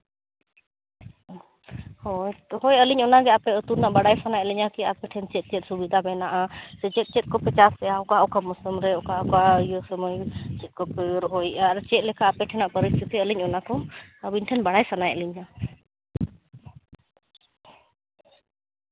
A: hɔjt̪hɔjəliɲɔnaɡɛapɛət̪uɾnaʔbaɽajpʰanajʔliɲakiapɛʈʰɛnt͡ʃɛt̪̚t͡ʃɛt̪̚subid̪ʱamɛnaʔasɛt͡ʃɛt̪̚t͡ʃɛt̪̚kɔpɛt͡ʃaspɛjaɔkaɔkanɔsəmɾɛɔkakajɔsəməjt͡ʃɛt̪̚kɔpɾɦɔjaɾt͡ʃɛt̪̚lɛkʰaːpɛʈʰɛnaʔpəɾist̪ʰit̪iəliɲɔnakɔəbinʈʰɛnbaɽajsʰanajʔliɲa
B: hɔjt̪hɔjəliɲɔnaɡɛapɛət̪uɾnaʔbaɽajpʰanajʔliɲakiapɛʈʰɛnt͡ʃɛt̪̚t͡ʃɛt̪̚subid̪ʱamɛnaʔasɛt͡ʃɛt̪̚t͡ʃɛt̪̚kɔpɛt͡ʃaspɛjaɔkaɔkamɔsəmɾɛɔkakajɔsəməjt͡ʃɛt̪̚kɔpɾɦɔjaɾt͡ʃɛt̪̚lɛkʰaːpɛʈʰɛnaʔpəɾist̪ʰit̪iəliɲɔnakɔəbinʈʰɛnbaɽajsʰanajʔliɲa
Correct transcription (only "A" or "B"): B